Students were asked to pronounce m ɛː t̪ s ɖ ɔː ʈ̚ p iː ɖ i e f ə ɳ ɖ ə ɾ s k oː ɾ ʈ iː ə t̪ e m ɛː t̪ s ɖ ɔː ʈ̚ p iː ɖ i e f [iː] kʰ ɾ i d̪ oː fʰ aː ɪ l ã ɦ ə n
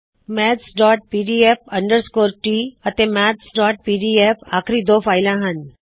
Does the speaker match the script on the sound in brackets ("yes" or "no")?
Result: no